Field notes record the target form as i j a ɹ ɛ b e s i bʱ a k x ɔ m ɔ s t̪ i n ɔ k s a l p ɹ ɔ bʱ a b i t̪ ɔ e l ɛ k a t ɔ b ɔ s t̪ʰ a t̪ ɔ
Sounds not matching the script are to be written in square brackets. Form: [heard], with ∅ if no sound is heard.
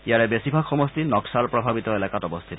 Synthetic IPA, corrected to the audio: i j a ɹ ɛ b e s i bʱ a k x ɔ m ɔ s t̪ i n ɔ k s a l p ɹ ɔ bʱ a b i t̪ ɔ e l [a] k a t ɔ b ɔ s t̪ʰ [i] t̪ ɔ